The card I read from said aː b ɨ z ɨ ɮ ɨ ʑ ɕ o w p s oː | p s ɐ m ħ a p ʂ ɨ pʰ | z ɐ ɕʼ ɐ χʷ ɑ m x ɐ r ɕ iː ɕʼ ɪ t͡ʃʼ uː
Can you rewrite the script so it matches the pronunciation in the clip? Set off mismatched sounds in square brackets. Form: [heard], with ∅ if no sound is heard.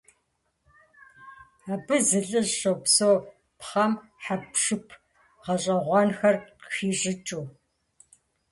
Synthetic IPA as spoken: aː b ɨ z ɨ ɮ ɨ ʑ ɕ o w p s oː | p [χ] ɐ m ħ a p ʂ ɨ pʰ | [ʁ] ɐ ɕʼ ɐ [ʁʷ] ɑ [n] x ɐ r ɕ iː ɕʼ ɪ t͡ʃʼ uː